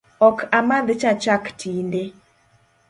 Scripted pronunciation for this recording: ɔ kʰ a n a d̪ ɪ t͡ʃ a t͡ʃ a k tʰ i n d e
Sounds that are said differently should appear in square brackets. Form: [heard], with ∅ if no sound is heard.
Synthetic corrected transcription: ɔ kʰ a [m] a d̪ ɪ t͡ʃ a t͡ʃ a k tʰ i n d e